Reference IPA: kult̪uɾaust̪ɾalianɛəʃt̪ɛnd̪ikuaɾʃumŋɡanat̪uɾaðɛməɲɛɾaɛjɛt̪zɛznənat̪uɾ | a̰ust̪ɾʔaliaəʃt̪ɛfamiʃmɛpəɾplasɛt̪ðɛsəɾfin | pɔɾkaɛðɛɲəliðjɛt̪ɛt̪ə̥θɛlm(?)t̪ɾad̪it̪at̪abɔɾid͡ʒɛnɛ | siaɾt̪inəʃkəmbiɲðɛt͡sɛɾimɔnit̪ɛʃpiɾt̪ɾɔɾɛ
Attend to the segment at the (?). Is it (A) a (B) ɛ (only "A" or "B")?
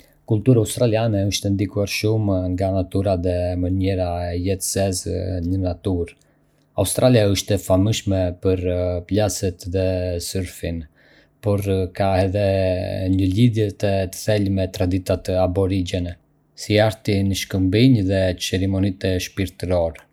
B